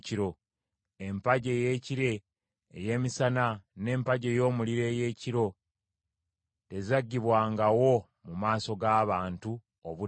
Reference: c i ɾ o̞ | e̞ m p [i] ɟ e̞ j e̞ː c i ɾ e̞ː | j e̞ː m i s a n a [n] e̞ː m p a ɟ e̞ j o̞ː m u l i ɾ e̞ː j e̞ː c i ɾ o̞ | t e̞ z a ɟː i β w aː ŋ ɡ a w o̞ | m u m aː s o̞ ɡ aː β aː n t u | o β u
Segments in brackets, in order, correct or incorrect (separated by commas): incorrect, correct